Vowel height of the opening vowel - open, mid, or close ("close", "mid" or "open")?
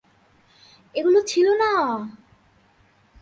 mid